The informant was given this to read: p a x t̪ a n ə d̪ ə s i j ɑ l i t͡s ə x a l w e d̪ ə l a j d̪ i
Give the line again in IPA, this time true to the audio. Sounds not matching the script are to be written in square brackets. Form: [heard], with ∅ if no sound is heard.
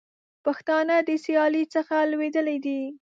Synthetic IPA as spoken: p a x t̪ [ɑ] n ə d̪ ə s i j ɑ l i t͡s ə x a l w e d̪ ə l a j d̪ i